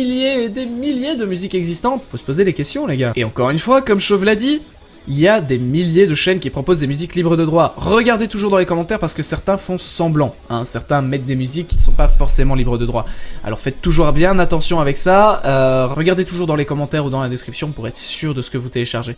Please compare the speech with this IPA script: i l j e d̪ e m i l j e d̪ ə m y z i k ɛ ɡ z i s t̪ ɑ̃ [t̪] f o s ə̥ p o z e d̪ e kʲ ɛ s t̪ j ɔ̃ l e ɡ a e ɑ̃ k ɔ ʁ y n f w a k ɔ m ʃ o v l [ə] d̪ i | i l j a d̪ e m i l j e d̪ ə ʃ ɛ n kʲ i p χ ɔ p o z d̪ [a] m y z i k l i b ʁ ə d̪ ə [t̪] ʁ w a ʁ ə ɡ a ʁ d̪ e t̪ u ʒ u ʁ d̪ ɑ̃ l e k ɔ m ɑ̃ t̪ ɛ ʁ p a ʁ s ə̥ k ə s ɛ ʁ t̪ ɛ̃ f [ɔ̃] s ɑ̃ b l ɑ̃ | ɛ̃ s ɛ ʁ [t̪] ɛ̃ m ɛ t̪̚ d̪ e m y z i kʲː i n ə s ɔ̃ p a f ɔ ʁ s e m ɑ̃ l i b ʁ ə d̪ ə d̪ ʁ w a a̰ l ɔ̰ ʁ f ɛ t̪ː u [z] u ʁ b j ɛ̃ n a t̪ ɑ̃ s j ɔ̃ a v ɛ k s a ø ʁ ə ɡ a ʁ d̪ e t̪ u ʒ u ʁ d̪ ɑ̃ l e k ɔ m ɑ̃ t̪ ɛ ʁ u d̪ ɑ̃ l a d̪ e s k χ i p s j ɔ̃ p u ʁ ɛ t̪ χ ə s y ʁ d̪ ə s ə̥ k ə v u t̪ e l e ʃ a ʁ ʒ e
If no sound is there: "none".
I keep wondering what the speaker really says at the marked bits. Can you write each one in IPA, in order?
t̪, a, e, d̪, ɔ̃, t̪, ʒ

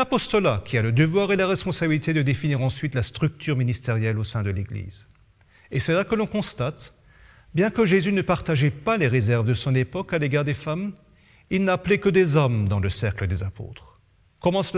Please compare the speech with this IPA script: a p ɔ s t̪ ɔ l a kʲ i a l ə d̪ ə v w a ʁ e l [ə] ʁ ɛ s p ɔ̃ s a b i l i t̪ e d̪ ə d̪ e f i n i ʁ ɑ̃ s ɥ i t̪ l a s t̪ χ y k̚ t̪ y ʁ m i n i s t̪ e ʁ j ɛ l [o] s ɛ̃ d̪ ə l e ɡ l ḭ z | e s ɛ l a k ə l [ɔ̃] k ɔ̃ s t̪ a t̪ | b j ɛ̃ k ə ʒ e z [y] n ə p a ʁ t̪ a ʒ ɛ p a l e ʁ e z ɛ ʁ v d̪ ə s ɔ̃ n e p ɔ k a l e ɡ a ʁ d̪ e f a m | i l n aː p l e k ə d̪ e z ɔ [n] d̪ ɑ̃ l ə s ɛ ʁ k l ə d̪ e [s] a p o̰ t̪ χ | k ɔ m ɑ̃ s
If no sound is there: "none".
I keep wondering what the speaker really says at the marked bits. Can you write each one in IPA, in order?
a, o, ɔ̃, y, m, z

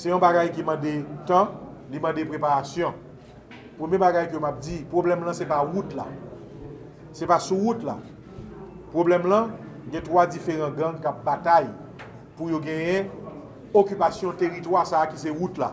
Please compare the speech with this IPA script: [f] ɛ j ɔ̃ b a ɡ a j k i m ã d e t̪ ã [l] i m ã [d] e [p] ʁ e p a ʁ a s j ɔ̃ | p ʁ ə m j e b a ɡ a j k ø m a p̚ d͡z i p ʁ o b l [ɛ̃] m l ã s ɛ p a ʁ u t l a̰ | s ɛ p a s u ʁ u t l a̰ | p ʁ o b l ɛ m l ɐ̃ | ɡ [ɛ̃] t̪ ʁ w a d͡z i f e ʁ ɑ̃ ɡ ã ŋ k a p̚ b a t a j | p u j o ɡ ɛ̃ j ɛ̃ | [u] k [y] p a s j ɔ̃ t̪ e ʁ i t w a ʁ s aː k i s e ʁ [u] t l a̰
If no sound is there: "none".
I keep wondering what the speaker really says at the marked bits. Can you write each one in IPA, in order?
s, l, d, p, ɛ, ɛ̃, o, y, u

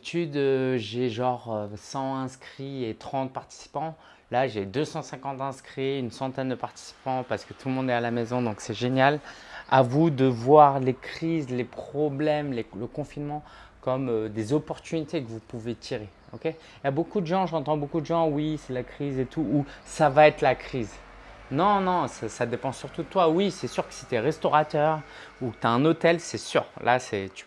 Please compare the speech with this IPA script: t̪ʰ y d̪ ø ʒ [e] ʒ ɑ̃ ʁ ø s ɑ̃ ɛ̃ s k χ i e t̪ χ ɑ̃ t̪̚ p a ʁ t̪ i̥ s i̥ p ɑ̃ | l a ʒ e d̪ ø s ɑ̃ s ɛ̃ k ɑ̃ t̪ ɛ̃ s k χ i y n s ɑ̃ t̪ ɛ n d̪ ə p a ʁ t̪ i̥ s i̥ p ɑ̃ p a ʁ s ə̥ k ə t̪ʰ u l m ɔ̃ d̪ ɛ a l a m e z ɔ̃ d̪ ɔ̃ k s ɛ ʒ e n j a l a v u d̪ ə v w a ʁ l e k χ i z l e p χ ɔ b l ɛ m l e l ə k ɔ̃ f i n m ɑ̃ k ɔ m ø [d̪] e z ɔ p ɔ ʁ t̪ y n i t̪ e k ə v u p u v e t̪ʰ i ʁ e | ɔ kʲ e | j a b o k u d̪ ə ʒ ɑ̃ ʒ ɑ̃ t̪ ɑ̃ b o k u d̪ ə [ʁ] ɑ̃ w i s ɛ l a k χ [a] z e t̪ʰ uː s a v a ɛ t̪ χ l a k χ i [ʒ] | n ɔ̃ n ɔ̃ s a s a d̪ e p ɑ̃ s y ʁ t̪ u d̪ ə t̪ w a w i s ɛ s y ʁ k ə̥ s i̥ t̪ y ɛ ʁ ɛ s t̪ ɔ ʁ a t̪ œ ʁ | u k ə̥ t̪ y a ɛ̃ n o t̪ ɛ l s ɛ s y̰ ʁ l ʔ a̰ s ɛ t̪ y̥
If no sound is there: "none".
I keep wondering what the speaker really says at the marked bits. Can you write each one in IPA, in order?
e, d̪, ʒ, i, z

